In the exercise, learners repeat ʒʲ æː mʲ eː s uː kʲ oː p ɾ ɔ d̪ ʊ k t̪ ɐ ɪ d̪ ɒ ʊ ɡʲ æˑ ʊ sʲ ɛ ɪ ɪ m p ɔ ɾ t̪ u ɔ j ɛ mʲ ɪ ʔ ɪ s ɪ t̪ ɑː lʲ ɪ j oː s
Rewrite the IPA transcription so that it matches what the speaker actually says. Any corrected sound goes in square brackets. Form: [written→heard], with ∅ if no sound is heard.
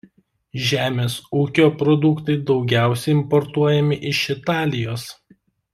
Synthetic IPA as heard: ʒʲ æː mʲ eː s uː kʲ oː p ɾ ɔ d̪ ʊ k t̪ ɐ ɪ d̪ ɒ ʊ ɡʲ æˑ ʊ sʲ ɛ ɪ ɪ m p ɔ ɾ t̪ u ɔ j ɛ mʲ ɪ ʔ ɪ [s→ʃ] ɪ t̪ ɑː lʲ ɪ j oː s